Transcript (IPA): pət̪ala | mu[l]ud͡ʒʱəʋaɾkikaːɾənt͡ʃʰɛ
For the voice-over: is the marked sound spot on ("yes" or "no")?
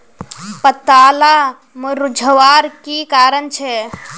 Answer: no